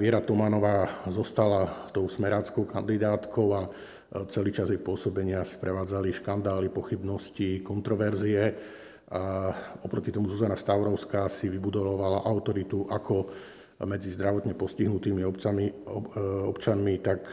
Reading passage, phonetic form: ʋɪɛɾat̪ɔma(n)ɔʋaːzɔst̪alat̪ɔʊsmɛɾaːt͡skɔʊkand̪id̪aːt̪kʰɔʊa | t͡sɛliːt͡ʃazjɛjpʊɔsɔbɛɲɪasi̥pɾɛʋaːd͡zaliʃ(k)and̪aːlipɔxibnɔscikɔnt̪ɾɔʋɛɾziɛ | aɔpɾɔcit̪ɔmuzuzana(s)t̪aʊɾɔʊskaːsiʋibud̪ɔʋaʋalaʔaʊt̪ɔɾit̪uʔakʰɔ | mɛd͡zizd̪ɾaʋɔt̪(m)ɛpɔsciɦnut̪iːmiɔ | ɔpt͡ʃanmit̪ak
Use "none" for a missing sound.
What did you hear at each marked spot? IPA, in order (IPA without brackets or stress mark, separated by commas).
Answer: n, k, s, ɲ